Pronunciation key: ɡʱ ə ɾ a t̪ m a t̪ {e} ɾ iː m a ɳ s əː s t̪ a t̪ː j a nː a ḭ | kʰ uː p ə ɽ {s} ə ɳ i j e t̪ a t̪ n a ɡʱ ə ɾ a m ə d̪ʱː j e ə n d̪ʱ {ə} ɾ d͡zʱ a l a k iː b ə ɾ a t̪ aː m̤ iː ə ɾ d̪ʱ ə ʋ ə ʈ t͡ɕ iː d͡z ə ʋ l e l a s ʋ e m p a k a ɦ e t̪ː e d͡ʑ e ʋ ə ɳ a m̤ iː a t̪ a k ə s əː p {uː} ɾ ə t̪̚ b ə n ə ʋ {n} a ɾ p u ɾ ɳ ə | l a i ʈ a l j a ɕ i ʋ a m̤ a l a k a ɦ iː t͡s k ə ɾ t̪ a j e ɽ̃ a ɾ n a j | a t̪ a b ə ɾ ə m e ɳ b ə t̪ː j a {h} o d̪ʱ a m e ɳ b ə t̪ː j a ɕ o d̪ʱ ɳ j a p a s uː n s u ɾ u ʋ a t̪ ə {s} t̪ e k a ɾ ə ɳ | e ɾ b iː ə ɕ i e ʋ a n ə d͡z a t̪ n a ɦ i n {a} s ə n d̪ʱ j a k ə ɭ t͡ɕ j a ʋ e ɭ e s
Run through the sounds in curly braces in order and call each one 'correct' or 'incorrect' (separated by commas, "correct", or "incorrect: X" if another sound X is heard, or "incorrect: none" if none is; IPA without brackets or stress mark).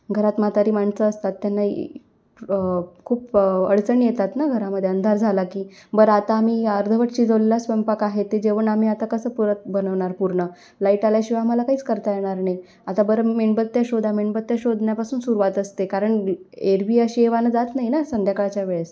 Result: incorrect: a, incorrect: t͡s, incorrect: a, incorrect: u, incorrect: ɳ, incorrect: ɕ, correct, correct